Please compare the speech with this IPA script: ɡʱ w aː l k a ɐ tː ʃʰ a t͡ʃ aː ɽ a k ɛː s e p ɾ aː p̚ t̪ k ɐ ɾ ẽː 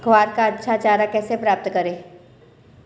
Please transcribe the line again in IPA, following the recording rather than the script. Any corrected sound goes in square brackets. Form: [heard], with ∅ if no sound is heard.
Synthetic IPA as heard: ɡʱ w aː [ɾ] k a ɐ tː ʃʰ a t͡ʃ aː [ɾ] a k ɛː s e p ɾ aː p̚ t̪ k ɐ ɾ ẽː